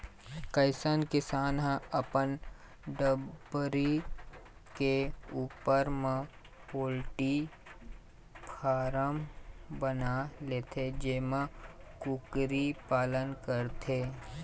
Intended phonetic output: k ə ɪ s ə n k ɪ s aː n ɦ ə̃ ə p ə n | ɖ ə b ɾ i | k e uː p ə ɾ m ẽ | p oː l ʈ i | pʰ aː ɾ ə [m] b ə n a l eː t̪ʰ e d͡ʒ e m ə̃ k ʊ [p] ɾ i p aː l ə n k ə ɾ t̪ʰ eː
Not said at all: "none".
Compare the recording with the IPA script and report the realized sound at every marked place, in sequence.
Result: m, k

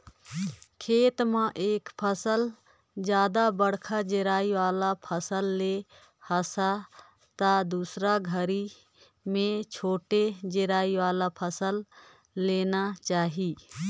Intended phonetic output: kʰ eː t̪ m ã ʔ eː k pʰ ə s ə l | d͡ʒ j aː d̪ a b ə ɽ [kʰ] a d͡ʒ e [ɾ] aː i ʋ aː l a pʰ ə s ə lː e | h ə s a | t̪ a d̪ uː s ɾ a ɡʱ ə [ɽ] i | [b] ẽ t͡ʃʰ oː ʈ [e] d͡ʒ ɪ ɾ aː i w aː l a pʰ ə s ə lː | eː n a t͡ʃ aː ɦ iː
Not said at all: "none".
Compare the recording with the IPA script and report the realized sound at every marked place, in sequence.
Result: kʰ, ɾ, ɾ, m, e

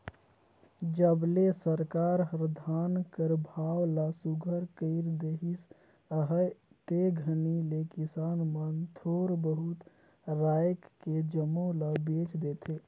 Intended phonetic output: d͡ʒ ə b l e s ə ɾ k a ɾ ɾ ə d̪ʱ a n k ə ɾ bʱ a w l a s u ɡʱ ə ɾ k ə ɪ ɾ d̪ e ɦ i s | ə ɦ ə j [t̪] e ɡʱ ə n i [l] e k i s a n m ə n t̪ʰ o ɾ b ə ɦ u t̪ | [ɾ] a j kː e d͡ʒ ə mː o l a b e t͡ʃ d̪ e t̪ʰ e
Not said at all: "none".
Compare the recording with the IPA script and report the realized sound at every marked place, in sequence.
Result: t̪, l, ɾ

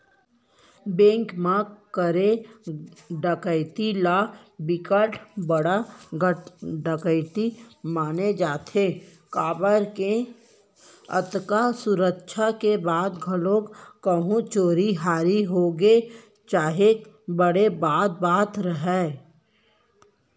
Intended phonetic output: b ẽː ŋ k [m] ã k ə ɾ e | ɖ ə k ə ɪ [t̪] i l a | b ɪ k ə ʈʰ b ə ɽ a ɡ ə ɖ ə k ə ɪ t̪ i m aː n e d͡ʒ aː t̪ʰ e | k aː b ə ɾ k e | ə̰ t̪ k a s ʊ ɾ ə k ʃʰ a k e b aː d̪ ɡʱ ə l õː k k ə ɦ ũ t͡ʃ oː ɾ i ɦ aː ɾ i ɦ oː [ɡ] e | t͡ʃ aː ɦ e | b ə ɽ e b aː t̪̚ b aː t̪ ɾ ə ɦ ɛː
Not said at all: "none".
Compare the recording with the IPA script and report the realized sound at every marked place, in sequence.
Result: m, t̪, ɡ

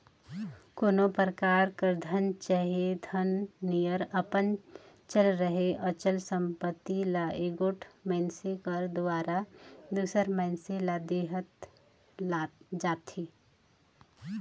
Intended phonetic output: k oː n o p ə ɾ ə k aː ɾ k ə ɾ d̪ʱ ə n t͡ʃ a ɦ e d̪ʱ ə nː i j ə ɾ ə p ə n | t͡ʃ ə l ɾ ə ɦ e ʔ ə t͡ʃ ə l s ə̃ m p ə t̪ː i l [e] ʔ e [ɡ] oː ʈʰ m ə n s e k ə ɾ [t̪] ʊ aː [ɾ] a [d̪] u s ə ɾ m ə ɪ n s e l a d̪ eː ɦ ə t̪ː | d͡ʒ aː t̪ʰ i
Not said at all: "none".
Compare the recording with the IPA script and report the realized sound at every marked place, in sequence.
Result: a, ɡ, d̪, ɾ, d̪

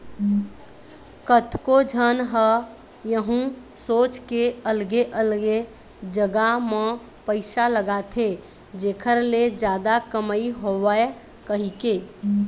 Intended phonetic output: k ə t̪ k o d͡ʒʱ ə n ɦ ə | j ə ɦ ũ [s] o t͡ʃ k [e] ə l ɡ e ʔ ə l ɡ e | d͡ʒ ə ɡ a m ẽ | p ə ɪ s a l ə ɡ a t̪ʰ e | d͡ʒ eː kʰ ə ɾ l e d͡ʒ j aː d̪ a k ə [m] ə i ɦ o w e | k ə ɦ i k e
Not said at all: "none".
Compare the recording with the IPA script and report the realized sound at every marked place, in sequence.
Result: s, e, m

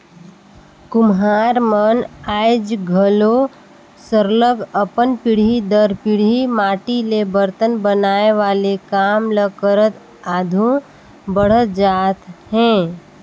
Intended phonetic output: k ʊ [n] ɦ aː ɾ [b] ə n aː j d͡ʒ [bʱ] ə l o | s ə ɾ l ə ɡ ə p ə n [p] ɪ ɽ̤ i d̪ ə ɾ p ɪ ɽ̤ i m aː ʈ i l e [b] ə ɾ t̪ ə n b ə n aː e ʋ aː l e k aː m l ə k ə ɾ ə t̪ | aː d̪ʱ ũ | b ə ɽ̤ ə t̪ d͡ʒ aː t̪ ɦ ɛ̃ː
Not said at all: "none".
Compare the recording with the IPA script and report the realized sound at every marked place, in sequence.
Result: m, m, ɡʱ, p, b

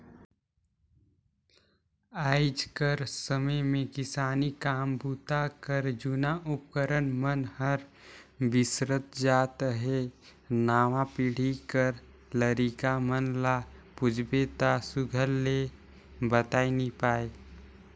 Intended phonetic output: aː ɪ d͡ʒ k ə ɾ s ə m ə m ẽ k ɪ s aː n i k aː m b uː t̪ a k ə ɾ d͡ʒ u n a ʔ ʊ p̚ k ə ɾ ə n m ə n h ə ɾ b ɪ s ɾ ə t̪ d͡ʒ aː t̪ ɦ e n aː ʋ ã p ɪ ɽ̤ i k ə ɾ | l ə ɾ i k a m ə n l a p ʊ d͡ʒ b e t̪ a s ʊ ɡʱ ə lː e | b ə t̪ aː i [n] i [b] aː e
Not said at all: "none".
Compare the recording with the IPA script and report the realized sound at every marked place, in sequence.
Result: n, p

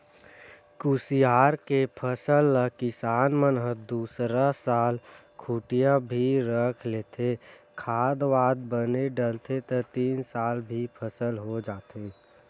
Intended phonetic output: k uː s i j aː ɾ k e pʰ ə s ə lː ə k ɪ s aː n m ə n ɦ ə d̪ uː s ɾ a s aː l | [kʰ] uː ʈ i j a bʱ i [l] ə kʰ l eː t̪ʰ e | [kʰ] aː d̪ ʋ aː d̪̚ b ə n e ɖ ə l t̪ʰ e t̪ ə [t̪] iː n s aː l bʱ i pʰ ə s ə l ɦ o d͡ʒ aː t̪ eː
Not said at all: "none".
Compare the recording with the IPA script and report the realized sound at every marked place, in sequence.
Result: kʰ, ɾ, kʰ, t̪

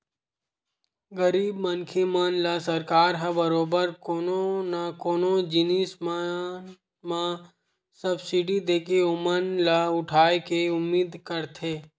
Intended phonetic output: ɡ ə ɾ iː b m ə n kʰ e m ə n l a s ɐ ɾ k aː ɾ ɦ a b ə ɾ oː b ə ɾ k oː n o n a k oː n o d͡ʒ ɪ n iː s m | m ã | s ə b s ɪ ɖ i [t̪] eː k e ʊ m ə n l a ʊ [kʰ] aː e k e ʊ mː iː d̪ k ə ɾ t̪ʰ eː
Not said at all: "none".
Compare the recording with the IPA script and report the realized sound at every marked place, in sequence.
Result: d̪, ʈʰ

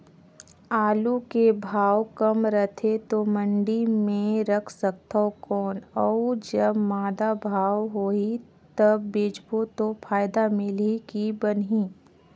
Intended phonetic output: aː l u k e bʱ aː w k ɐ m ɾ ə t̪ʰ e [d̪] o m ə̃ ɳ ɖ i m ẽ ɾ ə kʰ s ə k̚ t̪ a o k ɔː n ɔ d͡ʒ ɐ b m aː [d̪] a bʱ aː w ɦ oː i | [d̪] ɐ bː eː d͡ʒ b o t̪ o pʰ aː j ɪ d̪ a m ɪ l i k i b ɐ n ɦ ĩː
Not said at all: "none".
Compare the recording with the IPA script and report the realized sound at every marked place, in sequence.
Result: t̪, d̪, t̪

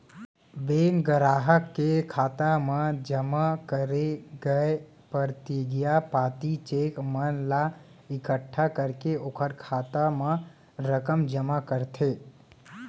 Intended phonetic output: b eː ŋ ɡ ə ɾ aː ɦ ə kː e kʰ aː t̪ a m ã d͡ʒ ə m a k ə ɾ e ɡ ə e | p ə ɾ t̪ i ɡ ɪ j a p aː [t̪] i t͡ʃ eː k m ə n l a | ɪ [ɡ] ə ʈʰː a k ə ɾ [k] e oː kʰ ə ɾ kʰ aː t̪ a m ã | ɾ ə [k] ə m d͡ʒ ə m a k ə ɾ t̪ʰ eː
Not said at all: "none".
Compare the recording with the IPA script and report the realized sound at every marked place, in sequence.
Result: t̪, k, k, k

